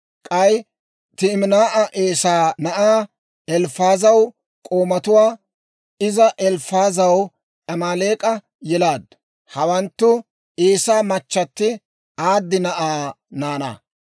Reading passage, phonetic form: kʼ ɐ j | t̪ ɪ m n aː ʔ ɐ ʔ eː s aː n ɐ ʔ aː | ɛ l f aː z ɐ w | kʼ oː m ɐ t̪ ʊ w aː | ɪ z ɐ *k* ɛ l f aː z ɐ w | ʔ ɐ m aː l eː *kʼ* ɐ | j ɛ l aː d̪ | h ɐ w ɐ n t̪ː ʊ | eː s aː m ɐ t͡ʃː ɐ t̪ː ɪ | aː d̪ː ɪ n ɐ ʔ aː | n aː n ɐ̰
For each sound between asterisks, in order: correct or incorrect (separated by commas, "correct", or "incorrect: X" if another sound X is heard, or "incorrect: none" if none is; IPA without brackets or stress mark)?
incorrect: ʔ, correct